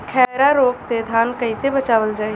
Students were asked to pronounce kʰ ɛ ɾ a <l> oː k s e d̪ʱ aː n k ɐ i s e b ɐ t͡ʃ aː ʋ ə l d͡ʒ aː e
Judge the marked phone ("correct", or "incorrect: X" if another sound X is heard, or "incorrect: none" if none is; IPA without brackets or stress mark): incorrect: ɾ